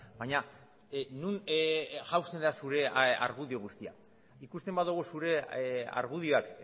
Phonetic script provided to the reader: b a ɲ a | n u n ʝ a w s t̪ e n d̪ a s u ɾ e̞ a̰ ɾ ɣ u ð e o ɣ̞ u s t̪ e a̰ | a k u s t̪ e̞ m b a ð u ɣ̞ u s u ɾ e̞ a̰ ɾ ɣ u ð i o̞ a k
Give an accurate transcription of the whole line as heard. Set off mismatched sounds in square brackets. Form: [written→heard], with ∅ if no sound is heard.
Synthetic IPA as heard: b a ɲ a | n u n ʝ a w s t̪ e n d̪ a s u ɾ e̞ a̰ ɾ ɣ u ð [e→i] o ɣ̞ u s t̪ [e→i] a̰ | [a→i] k u s t̪ e̞ m b a ð u ɣ̞ u s u ɾ e̞ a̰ ɾ ɣ u ð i o̞ a k